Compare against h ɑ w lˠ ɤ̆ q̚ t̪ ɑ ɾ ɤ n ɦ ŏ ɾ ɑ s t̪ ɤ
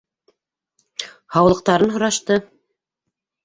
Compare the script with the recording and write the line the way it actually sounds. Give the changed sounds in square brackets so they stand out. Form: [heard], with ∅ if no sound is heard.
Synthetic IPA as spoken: h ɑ w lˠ ɤ̆ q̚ t̪ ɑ ɾ ɤ n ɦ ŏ ɾ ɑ [ʃ] t̪ ɤ